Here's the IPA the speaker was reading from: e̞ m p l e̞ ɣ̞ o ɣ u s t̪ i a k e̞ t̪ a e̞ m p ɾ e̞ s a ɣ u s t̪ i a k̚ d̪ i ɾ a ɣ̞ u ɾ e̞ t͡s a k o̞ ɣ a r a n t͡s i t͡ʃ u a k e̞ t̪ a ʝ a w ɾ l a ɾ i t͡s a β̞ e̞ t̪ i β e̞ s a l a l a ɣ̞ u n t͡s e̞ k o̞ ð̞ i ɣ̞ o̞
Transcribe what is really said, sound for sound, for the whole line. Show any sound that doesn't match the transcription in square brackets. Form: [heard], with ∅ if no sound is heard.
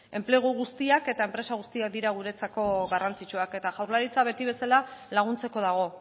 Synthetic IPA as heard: e̞ m p l e̞ ɣ̞ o ɣ u s t̪ i a k e̞ t̪ a e̞ m p ɾ e̞ s a ɣ u s t̪ i a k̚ d̪ i ɾ a ɣ̞ u ɾ e̞ t͡s a k o̞ ɣ a r a n t͡s i t͡ʃ u a k e̞ t̪ a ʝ a w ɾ l a ɾ i t͡s a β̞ e̞ t̪ i β e̞ s a l a l a ɣ̞ u n t͡s e̞ k o̞ ð̞ [a] ɣ̞ o̞